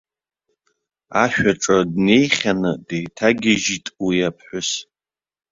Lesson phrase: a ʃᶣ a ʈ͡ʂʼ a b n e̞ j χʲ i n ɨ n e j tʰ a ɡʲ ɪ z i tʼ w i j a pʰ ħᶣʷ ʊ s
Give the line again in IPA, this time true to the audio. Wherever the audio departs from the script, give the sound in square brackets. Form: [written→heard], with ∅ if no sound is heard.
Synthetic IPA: a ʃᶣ a ʈ͡ʂʼ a [b→d] n e̞ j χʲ [i→a] n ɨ [n→d] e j tʰ a ɡʲ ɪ [z→ʒ] i tʼ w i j a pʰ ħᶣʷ ʊ s